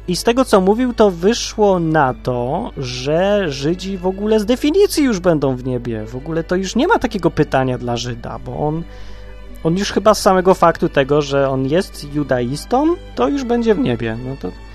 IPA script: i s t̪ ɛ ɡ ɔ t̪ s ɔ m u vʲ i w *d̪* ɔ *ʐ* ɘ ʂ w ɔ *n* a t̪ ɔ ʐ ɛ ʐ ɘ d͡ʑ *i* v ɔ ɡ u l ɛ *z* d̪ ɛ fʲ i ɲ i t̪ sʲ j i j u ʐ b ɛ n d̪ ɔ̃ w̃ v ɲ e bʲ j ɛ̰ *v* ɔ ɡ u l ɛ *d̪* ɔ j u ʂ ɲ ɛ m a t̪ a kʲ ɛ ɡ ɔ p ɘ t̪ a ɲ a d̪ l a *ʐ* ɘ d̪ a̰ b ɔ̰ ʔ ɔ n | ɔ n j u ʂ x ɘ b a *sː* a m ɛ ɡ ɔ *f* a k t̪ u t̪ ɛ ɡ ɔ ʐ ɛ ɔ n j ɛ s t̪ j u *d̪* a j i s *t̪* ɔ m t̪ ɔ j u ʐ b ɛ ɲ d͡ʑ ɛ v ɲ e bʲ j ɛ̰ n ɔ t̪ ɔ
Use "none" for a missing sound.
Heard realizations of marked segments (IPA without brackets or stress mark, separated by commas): t̪, v, n, i, z, v, t̪, ʐ, sː, f, d̪, t̪